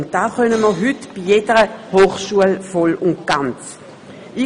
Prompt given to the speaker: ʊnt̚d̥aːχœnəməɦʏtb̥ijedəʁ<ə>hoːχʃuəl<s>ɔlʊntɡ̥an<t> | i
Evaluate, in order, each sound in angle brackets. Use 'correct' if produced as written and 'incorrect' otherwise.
correct, incorrect: f, incorrect: t͡s

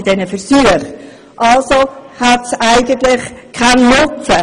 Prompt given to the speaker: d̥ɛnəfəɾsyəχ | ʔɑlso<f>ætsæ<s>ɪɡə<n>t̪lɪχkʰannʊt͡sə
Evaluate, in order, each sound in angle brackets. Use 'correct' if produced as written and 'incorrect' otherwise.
incorrect: h, incorrect: none, correct

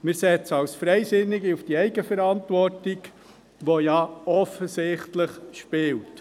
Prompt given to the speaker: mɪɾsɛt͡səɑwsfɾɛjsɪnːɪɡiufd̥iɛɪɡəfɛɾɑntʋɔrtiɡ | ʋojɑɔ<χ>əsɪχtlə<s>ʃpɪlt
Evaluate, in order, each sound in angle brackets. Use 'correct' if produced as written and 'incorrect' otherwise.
incorrect: f, incorrect: χ

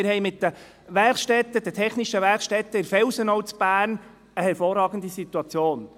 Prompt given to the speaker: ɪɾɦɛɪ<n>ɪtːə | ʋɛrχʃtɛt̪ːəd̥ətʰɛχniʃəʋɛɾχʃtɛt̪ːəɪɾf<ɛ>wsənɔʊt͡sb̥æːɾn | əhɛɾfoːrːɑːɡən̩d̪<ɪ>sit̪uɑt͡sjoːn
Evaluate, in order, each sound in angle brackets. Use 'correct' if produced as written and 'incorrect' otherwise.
incorrect: m, correct, incorrect: i

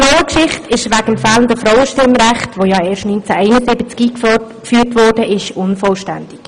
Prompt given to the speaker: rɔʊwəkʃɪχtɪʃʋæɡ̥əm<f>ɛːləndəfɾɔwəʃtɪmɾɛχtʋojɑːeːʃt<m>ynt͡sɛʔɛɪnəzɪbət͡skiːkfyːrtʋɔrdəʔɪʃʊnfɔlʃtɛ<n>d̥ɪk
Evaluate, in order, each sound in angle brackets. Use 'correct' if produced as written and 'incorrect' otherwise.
correct, incorrect: n, correct

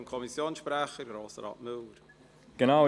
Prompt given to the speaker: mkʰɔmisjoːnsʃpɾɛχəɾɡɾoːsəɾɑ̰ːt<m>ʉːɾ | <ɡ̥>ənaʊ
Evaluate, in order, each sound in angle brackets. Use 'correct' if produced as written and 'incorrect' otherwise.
correct, correct

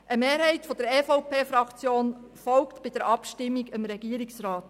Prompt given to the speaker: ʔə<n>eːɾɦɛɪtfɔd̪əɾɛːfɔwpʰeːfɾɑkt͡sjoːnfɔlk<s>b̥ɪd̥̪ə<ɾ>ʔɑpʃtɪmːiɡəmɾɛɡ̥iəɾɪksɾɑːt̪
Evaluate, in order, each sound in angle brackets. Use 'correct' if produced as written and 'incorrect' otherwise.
incorrect: m, incorrect: t, correct

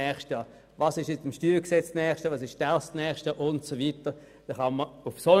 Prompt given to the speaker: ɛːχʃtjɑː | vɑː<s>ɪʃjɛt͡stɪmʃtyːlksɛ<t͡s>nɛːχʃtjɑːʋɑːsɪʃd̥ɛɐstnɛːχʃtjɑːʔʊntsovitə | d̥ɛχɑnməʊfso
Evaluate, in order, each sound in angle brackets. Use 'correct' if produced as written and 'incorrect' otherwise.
correct, correct

